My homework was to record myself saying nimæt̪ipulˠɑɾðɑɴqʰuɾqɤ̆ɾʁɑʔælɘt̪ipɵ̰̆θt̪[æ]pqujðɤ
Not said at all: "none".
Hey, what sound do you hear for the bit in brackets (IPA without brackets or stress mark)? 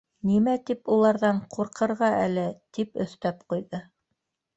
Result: æ